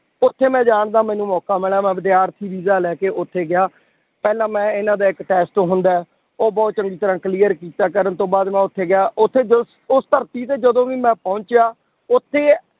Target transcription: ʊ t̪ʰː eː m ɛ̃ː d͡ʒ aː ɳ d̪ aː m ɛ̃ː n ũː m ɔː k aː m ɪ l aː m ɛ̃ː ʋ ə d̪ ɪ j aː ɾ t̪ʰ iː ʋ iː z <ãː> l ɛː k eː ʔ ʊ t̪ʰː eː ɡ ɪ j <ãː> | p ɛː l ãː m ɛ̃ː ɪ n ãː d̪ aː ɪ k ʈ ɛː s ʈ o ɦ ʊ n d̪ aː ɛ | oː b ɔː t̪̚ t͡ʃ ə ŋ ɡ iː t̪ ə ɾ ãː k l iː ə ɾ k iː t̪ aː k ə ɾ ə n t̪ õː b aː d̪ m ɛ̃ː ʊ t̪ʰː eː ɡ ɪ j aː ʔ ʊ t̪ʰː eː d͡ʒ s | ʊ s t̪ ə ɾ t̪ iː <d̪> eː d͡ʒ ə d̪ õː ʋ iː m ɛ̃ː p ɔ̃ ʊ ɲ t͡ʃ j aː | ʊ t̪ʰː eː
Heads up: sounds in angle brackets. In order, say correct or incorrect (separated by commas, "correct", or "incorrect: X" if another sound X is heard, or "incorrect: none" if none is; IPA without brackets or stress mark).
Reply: incorrect: aː, incorrect: aː, incorrect: t̪